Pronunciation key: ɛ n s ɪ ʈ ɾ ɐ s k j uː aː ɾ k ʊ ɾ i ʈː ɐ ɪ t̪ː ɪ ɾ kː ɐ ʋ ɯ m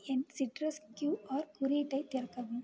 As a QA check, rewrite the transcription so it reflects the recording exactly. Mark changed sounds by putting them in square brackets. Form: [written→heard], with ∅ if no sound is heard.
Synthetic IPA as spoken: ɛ n s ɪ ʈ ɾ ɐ s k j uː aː ɾ k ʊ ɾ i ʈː ɐ ɪ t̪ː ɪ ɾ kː ɐ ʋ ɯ m